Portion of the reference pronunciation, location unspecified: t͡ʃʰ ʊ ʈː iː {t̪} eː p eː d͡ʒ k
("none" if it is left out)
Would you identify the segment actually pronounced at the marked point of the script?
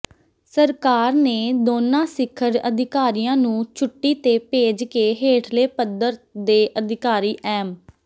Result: t̪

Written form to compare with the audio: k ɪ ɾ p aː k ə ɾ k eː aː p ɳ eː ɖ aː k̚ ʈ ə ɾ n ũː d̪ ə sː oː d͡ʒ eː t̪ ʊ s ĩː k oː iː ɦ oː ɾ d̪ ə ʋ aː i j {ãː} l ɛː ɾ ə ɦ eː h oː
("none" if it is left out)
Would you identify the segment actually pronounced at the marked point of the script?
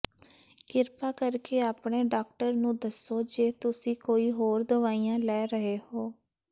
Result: ãː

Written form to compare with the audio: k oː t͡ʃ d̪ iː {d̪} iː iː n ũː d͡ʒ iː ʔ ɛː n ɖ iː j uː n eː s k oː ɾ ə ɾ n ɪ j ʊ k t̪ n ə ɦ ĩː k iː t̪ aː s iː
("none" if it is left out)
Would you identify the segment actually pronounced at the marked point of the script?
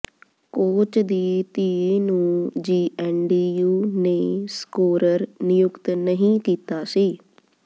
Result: t̪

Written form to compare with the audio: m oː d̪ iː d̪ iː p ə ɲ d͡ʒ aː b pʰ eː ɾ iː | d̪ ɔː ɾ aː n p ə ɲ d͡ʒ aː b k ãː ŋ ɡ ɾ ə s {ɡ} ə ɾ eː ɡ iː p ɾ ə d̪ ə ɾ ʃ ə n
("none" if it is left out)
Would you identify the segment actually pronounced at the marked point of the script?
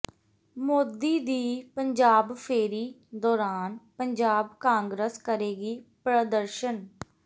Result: k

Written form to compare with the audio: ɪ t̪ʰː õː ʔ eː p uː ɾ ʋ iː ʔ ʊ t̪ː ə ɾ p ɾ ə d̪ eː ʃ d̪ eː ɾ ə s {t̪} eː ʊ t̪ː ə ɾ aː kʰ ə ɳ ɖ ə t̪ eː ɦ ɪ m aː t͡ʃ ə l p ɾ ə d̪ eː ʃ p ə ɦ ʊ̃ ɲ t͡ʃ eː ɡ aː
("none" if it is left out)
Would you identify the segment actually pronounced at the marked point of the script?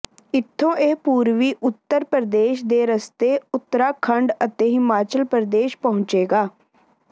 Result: t̪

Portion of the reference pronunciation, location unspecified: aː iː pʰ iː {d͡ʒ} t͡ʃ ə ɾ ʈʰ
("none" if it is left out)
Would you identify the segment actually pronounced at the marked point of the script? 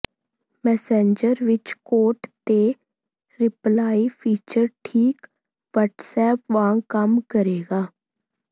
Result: none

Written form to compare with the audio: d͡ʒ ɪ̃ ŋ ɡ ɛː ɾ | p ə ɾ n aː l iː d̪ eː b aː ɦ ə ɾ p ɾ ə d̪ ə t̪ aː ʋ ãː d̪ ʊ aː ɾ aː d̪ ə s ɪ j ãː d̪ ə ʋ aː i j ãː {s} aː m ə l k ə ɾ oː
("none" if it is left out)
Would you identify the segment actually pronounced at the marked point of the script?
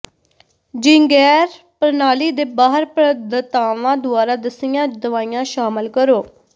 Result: ʃ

